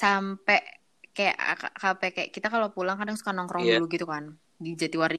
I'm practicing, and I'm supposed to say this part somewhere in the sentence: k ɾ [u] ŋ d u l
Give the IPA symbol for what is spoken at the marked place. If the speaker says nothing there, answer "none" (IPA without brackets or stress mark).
ɔ